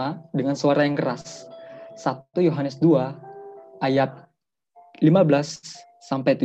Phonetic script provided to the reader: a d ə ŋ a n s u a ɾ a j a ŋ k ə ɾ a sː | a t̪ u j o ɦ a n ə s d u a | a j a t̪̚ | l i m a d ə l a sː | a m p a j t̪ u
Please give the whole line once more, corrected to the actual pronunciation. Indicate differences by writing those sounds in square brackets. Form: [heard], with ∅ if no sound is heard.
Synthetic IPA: a d ə ŋ a n s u a ɾ a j a ŋ k ə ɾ a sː | a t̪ u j o ɦ a n ə s d u a | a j a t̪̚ | l i m a [b] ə l a sː | a m p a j t̪ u